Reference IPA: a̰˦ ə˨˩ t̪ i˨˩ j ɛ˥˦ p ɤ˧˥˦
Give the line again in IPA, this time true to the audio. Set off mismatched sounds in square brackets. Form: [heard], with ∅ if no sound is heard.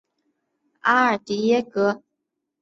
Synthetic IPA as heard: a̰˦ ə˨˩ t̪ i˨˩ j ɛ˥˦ [k] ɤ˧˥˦